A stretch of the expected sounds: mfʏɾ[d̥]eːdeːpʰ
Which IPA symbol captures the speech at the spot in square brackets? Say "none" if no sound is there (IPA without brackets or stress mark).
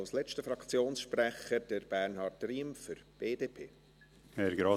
b̥